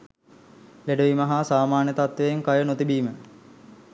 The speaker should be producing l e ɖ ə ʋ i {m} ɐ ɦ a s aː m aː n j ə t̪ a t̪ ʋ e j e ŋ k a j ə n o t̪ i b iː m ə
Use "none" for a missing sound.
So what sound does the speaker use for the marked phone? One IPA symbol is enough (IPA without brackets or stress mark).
m